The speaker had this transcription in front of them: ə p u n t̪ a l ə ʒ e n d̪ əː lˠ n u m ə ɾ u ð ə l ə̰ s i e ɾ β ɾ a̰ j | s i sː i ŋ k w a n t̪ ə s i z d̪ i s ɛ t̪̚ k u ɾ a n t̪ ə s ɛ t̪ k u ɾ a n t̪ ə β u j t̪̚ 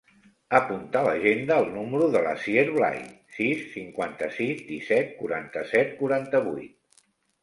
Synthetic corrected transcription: ə p u n t̪ a l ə ʒ e n d̪ əː lˠ n u m ə ɾ u ð ə l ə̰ s i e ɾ β l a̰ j | s i sː i ŋ k w a n t̪ ə s i z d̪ i s ɛ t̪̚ k u ɾ a n t̪ ə s ɛ t̪ k u ɾ a n t̪ ə β u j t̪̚